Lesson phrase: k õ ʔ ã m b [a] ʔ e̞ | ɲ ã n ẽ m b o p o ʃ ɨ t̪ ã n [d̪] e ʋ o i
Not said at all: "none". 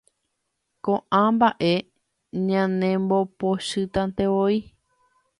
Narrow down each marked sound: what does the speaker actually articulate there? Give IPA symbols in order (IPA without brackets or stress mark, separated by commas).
a, t̪